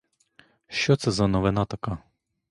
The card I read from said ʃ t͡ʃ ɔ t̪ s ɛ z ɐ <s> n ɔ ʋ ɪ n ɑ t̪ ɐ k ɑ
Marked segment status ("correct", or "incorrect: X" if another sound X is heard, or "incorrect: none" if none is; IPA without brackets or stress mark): incorrect: none